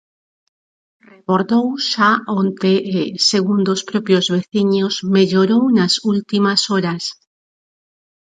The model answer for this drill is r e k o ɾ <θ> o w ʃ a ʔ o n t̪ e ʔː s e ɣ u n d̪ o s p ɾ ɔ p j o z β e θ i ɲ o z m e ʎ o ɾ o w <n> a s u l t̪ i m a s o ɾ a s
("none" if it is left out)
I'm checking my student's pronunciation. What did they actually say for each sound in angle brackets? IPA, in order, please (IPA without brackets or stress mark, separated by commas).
ð, n